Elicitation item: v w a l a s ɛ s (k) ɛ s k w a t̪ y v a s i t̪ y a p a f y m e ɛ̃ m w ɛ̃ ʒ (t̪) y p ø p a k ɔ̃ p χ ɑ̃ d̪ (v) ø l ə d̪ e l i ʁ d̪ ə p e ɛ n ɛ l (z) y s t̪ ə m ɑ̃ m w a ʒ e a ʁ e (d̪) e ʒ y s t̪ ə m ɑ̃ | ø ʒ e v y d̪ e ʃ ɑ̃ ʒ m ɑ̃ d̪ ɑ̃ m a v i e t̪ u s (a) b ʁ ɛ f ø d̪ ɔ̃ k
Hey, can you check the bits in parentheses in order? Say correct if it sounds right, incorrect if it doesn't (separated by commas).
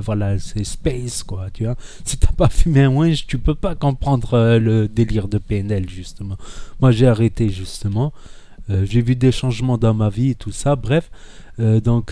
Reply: incorrect, correct, incorrect, incorrect, incorrect, correct